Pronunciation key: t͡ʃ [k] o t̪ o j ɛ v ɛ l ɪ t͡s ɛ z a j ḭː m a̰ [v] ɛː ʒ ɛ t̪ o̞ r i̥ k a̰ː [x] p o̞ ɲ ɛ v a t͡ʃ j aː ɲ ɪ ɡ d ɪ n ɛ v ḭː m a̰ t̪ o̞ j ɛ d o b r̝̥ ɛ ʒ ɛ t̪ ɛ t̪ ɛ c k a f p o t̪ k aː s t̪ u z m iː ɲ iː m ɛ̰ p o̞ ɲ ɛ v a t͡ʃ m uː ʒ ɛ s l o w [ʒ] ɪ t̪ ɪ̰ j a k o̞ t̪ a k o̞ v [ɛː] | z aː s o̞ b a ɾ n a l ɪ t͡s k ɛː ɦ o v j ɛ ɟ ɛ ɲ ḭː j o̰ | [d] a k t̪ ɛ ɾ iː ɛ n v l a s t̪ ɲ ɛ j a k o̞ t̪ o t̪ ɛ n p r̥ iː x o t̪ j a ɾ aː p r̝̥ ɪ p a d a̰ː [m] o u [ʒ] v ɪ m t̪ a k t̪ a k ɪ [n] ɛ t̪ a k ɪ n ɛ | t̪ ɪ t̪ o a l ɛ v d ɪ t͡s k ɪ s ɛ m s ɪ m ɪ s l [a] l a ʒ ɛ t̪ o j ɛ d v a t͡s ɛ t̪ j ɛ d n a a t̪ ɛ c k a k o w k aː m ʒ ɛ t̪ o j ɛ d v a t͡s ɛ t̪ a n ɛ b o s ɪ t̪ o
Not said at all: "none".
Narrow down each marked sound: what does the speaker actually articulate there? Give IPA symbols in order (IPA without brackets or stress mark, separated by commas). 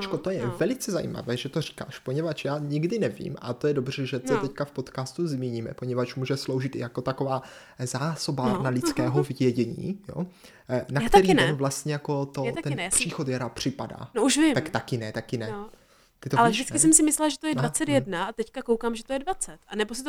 k, v, ʃ, ʒ, aː, n, n, ʃ, n, ɛ